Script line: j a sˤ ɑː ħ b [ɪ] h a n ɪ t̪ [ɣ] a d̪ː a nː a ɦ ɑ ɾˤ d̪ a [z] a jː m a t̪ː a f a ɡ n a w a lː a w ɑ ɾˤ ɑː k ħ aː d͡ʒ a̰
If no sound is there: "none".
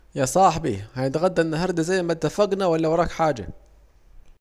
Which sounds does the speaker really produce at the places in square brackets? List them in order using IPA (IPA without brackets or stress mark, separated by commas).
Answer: i, ɣ, z